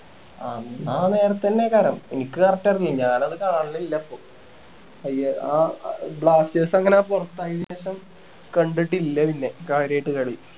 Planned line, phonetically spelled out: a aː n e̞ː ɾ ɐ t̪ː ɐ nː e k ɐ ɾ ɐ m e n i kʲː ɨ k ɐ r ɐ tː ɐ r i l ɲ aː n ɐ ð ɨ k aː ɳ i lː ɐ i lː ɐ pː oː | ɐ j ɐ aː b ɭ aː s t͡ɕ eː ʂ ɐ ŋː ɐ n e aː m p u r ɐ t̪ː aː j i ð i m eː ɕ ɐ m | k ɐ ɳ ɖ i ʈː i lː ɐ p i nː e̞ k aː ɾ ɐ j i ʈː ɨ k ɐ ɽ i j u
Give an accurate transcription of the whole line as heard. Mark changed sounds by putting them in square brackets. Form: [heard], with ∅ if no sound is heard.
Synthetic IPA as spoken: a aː n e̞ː ɾ ɐ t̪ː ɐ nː e k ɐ ɾ ɐ m e n i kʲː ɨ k ɐ r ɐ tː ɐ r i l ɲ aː n ɐ ð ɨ k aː ɳ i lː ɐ i lː ɐ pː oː | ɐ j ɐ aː b ɭ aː s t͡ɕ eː [s] ɐ ŋː ɐ n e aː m p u r ɐ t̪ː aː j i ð i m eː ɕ ɐ m | k ɐ ɳ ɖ i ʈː i lː ɐ p i nː e̞ k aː ɾ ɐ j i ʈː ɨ k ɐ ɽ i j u

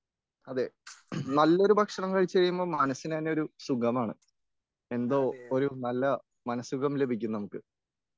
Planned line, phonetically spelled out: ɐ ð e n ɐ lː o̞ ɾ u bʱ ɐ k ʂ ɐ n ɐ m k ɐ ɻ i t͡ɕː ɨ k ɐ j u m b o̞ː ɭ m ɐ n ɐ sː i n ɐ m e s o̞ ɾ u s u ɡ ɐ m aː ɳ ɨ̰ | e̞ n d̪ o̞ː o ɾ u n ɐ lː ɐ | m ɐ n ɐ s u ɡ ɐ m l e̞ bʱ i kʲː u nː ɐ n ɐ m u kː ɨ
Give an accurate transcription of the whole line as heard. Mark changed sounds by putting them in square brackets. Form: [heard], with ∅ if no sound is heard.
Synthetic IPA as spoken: ɐ ð e n ɐ lː o̞ ɾ u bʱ ɐ k ʂ ɐ [ɳ] ɐ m k ɐ ɻ i t͡ɕː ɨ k ɐ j u m b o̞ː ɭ m ɐ n ɐ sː i n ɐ [n] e [∅] o̞ ɾ u s u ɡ ɐ m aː ɳ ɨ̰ | e̞ n d̪ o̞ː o ɾ u n ɐ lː ɐ | m ɐ n ɐ s u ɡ ɐ m l e̞ bʱ i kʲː u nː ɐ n ɐ m u kː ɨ

